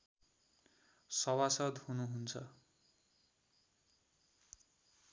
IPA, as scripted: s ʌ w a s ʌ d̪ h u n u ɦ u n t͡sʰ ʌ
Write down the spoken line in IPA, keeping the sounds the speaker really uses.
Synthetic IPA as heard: s ʌ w a s ʌ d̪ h u n u ɦ u n t͡sʰ ʌ